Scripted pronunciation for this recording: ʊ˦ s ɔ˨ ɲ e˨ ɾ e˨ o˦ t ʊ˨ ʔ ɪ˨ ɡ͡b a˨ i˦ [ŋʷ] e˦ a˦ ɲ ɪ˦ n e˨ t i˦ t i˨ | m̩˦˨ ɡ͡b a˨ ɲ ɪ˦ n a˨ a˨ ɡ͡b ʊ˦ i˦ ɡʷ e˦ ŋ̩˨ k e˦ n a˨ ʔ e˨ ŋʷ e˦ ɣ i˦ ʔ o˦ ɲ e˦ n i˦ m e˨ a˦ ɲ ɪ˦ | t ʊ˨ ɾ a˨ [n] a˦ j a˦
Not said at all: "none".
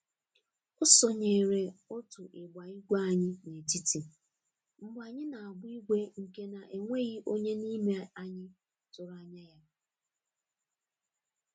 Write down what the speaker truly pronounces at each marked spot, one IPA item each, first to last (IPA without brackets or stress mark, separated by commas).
ɡʷ, ɲ